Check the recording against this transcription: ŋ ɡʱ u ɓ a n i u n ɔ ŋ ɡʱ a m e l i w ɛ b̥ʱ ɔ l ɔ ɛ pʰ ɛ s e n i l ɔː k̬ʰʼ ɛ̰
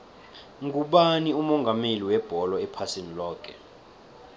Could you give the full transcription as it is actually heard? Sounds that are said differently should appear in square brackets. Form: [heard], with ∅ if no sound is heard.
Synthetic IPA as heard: ŋ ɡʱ u ɓ a n i u [m] ɔ ŋ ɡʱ a m e l i w ɛ b̥ʱ ɔ l ɔ ɛ pʰ [a] s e n i l ɔː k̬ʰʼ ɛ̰